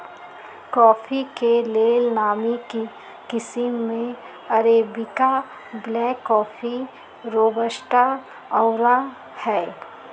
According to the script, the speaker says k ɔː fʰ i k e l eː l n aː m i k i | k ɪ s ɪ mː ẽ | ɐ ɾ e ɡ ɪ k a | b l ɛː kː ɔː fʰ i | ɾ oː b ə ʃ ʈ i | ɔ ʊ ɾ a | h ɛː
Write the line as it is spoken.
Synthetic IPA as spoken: k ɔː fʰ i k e l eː l n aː m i k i | k ɪ s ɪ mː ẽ | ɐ ɾ e b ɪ k a | b l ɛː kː ɔː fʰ i | ɾ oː b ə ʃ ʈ a | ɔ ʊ ɾ a | h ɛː